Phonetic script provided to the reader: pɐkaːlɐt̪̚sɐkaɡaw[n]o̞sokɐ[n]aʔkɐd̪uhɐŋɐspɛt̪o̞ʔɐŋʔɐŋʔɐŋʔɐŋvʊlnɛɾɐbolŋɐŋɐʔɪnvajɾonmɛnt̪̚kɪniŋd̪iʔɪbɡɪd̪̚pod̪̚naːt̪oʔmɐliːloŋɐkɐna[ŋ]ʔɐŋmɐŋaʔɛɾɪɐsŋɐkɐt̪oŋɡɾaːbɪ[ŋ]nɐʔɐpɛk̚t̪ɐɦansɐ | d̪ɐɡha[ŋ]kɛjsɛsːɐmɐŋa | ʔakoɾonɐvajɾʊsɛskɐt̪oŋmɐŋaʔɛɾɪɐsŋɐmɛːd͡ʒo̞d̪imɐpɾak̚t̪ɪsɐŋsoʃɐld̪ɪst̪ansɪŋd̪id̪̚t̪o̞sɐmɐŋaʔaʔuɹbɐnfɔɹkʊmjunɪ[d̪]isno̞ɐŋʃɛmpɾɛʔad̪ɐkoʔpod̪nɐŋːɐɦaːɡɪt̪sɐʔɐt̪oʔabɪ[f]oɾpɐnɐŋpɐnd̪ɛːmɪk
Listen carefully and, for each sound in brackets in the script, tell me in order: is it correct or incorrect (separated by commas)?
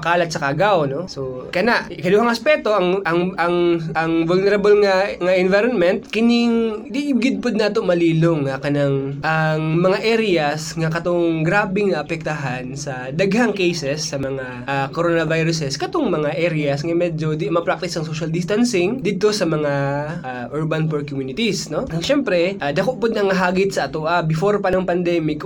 correct, correct, correct, correct, correct, incorrect, correct